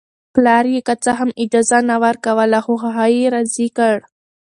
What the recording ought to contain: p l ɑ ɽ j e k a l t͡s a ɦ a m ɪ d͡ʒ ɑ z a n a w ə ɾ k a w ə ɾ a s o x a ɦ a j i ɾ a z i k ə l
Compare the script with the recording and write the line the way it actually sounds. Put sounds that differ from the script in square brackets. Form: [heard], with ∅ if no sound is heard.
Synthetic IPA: p l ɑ [ɾ] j e k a [∅] t͡s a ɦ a m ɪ d͡ʒ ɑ z a n a w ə ɾ k a w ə [l] a [x] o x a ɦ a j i ɾ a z i k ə [ɽ]